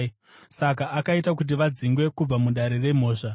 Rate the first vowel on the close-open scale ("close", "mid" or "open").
open